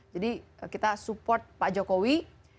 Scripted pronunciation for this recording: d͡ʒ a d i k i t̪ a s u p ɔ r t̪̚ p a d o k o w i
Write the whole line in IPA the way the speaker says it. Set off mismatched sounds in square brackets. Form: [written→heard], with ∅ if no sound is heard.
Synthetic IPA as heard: d͡ʒ a d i k i t̪ a s u p ɔ r t̪̚ p a [d→d͡ʒ] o k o w i

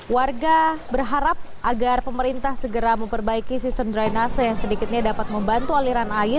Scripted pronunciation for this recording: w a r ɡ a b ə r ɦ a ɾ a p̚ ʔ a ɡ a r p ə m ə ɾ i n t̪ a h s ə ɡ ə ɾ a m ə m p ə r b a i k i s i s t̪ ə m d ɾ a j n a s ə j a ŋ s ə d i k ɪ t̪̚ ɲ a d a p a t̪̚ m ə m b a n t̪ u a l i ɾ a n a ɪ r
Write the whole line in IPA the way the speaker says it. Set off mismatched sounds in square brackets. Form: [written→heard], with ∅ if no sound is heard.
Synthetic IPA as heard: w a r ɡ a b ə r ɦ a ɾ a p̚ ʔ a ɡ a r p ə m ə ɾ i n t̪ a h s ə ɡ ə ɾ a m ə m p ə r b a i k i s i s t̪ ə m d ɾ a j n a s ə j a ŋ s ə d i k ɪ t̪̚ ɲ a d a p a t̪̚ m ə m b a n t̪ u a l i ɾ a n a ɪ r

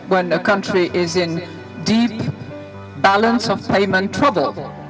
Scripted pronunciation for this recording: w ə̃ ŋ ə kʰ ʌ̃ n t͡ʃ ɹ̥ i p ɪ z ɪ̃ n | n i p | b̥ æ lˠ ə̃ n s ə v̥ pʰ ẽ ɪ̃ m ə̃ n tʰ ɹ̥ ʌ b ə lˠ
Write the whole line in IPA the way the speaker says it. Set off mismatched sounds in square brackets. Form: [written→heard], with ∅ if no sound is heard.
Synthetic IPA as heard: w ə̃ [ŋ→n] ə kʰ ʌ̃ n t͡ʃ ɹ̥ i [p→ʔ] ɪ z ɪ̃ n | [n→d] i p | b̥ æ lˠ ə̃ n s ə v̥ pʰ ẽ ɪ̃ m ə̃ n tʰ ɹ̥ ʌ b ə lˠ

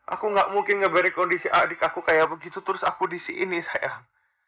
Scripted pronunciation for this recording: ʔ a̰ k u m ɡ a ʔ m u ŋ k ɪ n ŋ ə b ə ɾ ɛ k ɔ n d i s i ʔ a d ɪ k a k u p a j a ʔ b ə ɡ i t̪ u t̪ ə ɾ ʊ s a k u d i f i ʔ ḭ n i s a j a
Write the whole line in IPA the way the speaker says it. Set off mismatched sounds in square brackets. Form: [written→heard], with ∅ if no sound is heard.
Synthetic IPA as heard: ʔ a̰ k u [m→ŋ] ɡ a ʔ m u ŋ k ɪ n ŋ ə b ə ɾ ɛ k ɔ n d i s i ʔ a d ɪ k a k u [p→k] a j a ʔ b ə ɡ i t̪ u t̪ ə ɾ ʊ s a k u d i [f→s] i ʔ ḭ n i s a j a

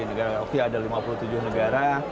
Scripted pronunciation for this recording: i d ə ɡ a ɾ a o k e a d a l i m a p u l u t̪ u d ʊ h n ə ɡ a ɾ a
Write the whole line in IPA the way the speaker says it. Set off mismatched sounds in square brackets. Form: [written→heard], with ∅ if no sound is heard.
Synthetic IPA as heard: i [d→n] ə ɡ a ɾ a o k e a d a l i m a p u l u t̪ u [d→d͡ʒ] ʊ h n ə ɡ a ɾ a

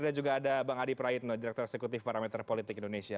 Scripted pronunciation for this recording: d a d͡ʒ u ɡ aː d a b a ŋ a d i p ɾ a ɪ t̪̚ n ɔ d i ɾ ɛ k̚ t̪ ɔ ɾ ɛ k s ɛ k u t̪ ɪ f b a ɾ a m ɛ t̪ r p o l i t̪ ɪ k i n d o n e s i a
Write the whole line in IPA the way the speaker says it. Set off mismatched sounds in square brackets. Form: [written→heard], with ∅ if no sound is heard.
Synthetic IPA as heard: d a d͡ʒ u ɡ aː d a b a ŋ a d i p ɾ a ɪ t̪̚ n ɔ d i ɾ ɛ k̚ t̪ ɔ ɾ ɛ k s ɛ k u t̪ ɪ f [b→p] a ɾ a m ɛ t̪ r p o l i t̪ ɪ k i n d o n e s i a

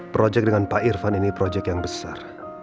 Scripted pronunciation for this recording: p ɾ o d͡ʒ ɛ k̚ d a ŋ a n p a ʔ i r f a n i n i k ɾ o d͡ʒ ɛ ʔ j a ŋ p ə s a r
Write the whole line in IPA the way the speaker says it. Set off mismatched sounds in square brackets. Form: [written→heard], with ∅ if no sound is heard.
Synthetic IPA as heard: p ɾ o d͡ʒ ɛ k̚ d [a→ə] ŋ a n p a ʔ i r f a n i n i [k→p] ɾ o d͡ʒ ɛ [ʔ→k] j a ŋ [p→b] ə s a r

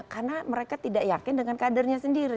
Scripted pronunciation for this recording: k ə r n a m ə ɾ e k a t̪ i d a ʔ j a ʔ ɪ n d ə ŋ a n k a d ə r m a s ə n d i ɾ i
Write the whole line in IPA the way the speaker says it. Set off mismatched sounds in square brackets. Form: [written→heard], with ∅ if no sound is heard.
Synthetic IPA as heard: k [ə→a] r n a m ə ɾ e k a t̪ i d a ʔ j a [ʔ→k] ɪ n d ə ŋ a n k a d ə r [m→ɲ] a s ə n d i ɾ i

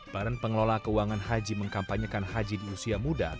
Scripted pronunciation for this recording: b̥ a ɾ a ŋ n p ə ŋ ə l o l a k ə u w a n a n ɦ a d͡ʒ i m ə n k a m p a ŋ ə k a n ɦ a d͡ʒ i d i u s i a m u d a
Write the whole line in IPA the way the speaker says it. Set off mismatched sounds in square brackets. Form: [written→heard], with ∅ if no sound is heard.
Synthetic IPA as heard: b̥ a ɾ a [ŋ→∅] n p ə ŋ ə l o l a k ə u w a [n→ŋ] a n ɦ a d͡ʒ i m ə [n→ŋ] k a m p a [ŋ→ɲ] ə k a n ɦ a d͡ʒ i d i u s i a m u d a

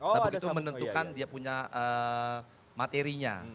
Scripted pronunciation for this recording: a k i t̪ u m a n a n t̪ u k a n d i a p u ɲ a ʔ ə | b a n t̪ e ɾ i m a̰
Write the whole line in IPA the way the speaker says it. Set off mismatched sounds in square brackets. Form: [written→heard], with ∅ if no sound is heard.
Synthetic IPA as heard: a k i t̪ u m [a→ə] n [a→ə] n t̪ u k a n d i a p u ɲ a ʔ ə | [b→m] a [n→∅] t̪ e ɾ i [m→ɲ] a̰

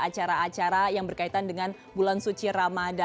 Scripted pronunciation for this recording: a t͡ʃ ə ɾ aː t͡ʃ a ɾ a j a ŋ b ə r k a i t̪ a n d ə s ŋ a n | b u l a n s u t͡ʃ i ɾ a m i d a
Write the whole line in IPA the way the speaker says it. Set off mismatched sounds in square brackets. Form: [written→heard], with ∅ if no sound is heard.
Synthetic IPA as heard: a t͡ʃ [ə→a] ɾ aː t͡ʃ a ɾ a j a ŋ b ə r k a i t̪ a n d ə [s→∅] ŋ a n | b u l a n s u t͡ʃ i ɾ a m [i→a] d a

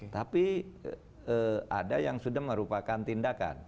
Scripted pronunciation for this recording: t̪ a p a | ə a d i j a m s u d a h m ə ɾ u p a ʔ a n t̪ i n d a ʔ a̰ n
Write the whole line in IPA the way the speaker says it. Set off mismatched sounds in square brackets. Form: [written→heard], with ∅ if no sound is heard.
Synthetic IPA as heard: t̪ a p [a→i] | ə a d [i→a] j a [m→ŋ] s u d a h m ə ɾ u p a [ʔ→k] a n t̪ i n d a [ʔ→k] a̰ n

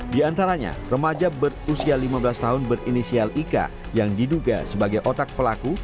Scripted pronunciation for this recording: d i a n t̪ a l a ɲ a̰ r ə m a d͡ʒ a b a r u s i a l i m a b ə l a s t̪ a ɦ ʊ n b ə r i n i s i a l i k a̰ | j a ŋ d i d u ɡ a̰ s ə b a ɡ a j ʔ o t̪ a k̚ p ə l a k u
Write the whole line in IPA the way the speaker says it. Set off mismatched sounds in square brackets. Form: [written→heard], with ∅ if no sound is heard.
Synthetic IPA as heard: d i a n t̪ a [l→ɾ] a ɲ a̰ r ə m a d͡ʒ a b [a→ə] r u s i a l i m a b ə l a s t̪ a ɦ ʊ n b ə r i n i s i a l i k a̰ | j a ŋ d i d u ɡ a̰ s ə b a ɡ a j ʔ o t̪ a k̚ p ə l a k u

